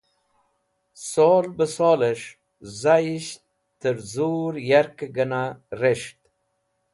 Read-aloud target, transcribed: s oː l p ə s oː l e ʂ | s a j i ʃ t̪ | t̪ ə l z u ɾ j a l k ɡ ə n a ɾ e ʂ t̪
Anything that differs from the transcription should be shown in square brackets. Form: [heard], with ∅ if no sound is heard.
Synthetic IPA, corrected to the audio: s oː l [b] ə s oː l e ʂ | [z] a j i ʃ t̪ | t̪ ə [ɾ] z u ɾ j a [ɾ] k ɡ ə n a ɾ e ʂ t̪